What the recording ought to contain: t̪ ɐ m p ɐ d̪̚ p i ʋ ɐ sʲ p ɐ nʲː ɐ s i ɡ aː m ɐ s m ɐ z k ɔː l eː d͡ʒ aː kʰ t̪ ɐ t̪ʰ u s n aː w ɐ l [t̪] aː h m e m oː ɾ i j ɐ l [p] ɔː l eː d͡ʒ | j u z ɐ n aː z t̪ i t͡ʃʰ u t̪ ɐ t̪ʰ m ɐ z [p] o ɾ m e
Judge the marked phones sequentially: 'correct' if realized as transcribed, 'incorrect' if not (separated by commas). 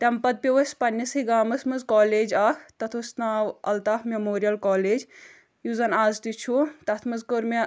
correct, incorrect, incorrect